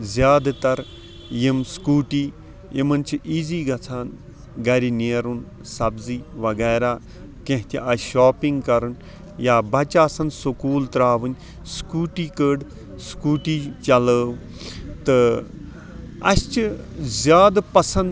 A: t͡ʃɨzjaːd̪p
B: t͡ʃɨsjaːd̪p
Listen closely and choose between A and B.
A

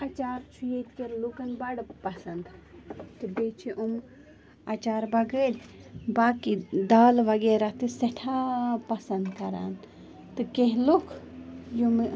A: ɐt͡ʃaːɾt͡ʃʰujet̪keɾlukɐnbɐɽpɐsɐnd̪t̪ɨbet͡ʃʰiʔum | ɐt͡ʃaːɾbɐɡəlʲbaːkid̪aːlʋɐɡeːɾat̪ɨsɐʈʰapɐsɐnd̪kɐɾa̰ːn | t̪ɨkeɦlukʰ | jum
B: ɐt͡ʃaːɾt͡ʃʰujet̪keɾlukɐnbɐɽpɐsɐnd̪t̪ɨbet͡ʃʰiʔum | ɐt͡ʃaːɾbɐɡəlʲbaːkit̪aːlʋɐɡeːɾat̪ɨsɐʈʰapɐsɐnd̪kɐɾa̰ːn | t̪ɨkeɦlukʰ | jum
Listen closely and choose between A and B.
A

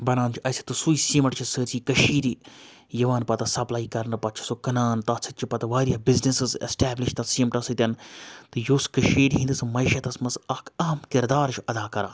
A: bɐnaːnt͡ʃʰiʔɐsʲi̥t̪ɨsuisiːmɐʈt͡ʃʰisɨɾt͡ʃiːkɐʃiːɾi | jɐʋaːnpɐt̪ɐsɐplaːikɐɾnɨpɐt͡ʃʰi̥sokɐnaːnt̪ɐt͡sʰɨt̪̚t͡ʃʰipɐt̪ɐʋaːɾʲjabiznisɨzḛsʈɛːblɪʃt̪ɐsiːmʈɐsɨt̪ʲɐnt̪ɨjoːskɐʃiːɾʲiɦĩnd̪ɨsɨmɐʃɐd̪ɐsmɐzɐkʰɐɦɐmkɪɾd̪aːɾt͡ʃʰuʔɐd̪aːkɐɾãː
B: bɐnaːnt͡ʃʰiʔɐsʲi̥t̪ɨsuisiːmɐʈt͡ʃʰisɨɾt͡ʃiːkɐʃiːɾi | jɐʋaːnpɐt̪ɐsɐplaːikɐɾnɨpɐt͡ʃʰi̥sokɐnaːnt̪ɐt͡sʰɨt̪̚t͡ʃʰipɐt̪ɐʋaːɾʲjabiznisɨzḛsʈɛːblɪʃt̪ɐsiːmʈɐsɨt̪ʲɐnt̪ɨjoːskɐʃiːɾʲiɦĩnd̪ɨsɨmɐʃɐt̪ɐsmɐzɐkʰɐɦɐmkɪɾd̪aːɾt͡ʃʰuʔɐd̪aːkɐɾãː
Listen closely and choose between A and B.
B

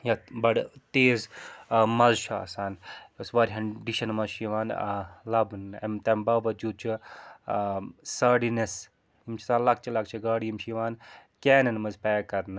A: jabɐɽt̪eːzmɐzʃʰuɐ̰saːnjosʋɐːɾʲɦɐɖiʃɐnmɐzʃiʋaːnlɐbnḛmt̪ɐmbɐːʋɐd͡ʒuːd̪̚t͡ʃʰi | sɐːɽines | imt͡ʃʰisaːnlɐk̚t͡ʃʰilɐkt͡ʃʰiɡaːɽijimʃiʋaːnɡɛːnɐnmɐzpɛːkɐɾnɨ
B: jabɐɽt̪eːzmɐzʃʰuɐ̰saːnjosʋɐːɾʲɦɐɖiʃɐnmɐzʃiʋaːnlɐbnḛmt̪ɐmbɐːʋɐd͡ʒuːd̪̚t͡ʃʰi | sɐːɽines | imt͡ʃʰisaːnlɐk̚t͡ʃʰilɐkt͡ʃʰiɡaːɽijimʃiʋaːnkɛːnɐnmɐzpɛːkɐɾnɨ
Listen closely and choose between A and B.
B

